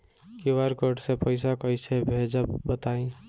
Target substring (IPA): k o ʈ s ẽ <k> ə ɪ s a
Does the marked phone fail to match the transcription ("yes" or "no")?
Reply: yes